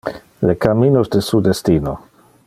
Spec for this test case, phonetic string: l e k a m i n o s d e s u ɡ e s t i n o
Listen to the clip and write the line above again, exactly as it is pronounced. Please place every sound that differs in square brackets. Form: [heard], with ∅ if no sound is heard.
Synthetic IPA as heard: l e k a m i n o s d e s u [d] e s t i n o